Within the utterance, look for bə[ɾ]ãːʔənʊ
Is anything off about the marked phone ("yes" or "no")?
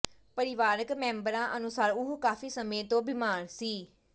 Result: no